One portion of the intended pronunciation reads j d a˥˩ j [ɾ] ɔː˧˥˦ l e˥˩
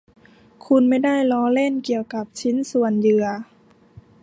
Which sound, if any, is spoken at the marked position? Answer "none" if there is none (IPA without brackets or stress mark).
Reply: l